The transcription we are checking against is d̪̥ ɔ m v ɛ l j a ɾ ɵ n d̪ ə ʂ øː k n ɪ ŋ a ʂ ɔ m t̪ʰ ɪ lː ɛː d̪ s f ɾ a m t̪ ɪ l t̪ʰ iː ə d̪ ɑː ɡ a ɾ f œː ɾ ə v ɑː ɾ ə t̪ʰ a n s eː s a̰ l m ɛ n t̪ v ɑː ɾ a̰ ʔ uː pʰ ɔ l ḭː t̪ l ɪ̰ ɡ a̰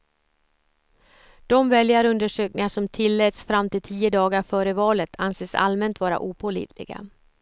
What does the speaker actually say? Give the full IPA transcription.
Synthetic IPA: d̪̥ ɔ m v ɛ l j a ɾ ɵ n d̪ ə ʂ øː k n ɪ ŋ a ʂ ɔ m t̪ʰ ɪ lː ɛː t̪ s f ɾ a m t̪ ɪ l t̪ʰ iː ə d̪ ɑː ɡ a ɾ f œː ɾ ə v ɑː l ə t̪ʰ a n s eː s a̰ l m ɛ n t̪ v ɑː ɾ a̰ ʔ uː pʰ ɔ l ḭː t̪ l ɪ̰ ɡ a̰